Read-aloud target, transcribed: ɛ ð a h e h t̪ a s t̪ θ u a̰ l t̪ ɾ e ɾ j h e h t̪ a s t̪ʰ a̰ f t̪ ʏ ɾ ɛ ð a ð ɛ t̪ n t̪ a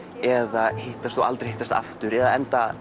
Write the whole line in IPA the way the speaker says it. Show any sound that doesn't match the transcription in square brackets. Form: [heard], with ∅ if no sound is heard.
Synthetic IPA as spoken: ɛ ð a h e h t̪ a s t̪ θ u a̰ l t̪ ɾ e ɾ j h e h t̪ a s [t̪] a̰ f t̪ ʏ ɾ ɛ ð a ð ɛ [∅] n t̪ a